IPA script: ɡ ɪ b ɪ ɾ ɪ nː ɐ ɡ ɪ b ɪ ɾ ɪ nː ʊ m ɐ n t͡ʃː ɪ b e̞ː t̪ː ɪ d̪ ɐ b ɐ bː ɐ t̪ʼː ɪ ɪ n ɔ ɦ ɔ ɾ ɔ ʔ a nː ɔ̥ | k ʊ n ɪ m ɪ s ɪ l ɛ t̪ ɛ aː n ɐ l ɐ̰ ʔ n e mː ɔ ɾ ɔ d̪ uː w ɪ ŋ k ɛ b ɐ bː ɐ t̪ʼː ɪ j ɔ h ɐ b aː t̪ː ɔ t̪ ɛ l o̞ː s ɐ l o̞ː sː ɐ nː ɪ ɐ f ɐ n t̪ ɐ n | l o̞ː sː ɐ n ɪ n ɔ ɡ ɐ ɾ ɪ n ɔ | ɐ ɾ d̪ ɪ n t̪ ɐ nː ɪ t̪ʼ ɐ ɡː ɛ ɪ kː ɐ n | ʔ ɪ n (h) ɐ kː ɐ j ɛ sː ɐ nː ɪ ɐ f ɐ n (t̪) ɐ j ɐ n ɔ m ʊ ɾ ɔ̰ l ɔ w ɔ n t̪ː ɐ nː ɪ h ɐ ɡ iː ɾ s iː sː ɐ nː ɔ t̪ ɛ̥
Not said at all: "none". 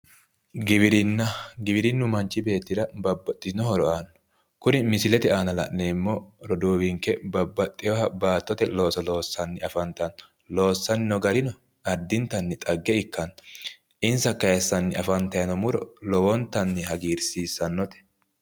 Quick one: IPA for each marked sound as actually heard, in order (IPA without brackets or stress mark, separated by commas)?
s, t̪